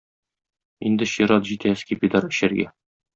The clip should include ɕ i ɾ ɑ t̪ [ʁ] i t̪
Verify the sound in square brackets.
incorrect: ʑ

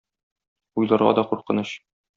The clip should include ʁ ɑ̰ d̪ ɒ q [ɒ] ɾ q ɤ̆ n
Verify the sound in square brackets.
incorrect: u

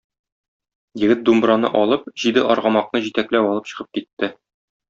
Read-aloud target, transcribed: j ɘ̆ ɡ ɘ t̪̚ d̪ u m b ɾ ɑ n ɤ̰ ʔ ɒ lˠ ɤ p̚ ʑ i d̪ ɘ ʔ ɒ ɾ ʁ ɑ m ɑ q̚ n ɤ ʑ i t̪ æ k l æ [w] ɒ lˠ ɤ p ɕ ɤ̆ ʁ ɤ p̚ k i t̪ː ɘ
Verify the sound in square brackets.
correct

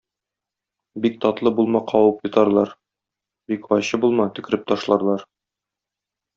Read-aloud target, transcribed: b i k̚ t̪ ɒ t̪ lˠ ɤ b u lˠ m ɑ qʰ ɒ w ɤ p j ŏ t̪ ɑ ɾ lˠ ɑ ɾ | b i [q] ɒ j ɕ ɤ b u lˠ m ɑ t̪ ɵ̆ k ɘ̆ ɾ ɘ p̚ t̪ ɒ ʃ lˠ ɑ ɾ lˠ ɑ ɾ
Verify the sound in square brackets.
incorrect: k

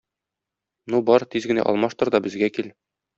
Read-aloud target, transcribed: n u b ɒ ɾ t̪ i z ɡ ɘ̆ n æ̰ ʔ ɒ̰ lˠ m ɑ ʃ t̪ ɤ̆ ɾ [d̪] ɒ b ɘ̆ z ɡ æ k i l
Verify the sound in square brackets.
correct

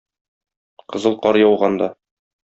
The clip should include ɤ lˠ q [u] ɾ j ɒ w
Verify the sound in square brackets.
incorrect: ɒ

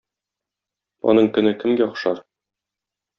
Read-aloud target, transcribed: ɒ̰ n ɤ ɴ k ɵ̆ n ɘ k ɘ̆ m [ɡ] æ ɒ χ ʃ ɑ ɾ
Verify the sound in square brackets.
correct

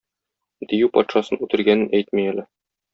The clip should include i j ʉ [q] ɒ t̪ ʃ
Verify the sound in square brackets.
incorrect: p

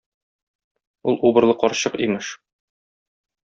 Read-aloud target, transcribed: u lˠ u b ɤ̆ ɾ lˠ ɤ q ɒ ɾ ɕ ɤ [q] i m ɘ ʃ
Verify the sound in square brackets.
correct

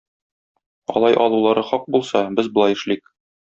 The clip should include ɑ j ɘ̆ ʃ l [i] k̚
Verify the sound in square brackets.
correct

